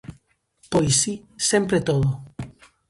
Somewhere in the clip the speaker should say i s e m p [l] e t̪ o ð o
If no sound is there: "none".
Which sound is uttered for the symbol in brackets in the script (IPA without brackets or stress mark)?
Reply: ɾ